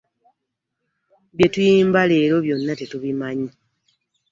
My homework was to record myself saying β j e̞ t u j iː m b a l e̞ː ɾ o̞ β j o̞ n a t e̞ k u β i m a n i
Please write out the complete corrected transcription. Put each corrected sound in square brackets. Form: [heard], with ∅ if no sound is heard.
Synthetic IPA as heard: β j e̞ t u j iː m b a l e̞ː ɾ o̞ β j o̞ [nː] a t e̞ [t] u β i m a [ɲ] i